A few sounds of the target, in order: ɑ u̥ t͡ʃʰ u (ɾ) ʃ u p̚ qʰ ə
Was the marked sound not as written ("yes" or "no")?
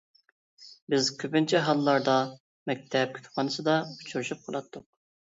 no